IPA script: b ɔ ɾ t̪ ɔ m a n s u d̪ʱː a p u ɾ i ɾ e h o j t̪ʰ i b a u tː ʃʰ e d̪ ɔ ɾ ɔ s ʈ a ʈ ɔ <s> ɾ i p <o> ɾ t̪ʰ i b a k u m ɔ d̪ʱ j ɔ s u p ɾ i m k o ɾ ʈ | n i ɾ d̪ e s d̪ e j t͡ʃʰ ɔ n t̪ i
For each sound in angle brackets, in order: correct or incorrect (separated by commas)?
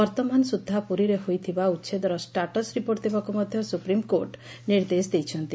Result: correct, correct